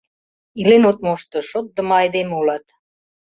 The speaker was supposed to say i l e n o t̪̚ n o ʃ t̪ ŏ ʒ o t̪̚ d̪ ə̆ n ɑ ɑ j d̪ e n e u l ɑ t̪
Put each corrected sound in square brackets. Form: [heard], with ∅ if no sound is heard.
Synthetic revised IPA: i l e n o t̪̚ [m] o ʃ t̪ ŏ [ʃ] o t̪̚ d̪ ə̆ [m] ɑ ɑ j d̪ e [m] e u l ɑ t̪